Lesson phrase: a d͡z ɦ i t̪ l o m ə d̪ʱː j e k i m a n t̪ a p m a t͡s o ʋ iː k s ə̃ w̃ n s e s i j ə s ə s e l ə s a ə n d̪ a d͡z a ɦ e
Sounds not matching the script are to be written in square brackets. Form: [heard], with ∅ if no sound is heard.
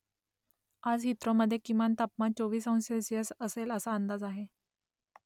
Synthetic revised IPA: a d͡z ɦ i t̪ [ɾ] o m ə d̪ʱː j e k i m a n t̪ a p m a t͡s o ʋ iː [∅] s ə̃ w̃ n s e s i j ə s ə s e l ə s a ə n d̪ a d͡z a ɦ e